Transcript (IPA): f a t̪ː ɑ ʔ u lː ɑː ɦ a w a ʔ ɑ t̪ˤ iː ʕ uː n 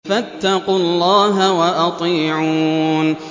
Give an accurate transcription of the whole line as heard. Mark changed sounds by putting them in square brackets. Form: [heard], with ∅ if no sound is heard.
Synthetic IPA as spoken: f a t̪ː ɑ [q] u lː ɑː ɦ a w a ʔ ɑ t̪ˤ iː ʕ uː n